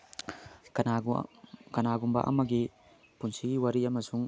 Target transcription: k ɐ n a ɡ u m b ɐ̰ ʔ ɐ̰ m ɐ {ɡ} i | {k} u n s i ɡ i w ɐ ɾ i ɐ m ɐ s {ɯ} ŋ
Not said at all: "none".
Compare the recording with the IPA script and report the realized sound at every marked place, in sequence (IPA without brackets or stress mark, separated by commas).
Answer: ɡ, p, u